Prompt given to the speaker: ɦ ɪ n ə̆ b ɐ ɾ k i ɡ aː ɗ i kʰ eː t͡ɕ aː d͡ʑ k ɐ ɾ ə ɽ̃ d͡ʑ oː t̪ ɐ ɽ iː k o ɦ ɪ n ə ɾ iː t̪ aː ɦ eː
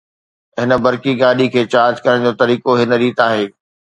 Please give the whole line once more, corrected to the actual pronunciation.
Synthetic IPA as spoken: ɦ ɪ n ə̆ b ɐ ɾ k i ɡ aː ɗ i kʰ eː t͡ɕ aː d͡ʑ k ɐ ɾ ə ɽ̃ d͡ʑ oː t̪ ɐ ɾ iː k o ɦ ɪ n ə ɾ iː t̪ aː ɦ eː